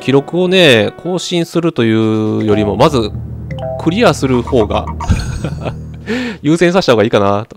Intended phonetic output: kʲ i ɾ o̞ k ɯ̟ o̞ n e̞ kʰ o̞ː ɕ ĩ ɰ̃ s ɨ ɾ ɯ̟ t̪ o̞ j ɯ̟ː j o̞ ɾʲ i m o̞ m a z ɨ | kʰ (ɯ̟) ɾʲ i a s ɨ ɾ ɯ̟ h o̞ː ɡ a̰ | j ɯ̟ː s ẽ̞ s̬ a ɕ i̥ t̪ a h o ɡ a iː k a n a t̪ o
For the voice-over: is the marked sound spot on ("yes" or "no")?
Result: yes